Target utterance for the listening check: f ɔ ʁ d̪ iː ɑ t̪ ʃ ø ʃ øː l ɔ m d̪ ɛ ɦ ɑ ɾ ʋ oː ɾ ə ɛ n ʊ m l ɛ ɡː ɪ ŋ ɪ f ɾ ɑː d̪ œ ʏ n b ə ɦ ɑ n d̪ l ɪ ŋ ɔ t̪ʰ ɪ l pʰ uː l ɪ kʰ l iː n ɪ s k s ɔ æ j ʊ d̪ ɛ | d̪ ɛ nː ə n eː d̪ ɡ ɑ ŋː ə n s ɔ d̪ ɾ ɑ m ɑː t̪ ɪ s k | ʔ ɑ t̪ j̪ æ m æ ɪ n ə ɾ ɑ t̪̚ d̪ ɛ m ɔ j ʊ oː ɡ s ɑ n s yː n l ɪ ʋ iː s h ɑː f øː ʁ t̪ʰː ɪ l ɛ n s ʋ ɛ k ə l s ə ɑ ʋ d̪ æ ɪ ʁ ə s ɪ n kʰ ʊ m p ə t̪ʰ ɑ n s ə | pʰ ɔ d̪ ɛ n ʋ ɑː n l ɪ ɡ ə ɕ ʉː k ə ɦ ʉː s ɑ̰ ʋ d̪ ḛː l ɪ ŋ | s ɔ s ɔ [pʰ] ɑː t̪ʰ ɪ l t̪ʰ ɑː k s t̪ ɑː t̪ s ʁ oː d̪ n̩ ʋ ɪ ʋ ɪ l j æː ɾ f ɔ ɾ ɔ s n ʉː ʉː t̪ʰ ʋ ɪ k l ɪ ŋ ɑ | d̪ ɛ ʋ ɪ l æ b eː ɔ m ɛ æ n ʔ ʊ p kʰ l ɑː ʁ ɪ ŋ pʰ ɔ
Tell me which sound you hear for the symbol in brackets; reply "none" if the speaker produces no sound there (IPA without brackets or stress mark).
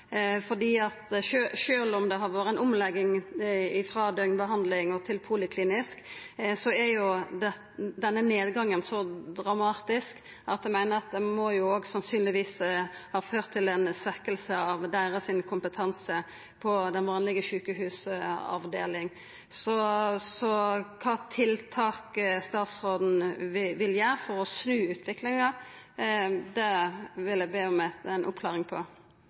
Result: kʰ